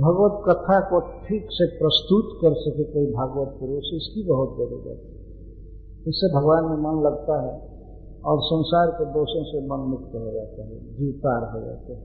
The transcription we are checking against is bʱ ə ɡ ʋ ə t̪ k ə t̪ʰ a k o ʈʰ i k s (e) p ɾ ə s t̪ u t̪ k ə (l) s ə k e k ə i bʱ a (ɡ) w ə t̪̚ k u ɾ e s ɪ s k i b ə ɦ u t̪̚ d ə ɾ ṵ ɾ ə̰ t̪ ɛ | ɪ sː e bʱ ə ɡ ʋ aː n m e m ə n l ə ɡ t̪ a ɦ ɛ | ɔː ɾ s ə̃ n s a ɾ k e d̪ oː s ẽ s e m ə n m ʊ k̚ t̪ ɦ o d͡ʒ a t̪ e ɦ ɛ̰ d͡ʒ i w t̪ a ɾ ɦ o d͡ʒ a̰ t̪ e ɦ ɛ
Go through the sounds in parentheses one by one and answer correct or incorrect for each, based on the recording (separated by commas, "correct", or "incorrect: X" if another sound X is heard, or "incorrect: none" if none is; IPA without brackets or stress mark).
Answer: correct, incorrect: ɾ, correct